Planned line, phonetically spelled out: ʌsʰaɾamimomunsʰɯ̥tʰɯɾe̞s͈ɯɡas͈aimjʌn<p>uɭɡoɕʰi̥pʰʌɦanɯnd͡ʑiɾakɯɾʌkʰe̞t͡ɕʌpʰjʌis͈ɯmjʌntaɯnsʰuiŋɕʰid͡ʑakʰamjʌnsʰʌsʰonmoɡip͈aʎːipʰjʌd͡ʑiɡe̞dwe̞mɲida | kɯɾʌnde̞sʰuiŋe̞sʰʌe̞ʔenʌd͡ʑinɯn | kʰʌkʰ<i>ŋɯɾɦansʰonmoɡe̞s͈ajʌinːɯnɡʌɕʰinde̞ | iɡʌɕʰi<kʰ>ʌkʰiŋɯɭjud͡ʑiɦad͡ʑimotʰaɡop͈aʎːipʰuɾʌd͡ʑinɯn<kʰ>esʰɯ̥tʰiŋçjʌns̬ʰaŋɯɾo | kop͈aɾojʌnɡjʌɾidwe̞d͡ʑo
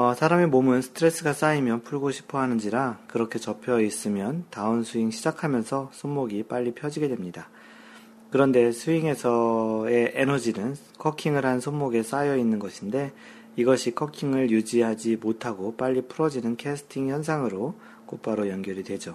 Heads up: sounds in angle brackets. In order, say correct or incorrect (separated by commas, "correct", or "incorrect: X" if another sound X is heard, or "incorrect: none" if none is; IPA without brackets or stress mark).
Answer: incorrect: pʰ, correct, correct, correct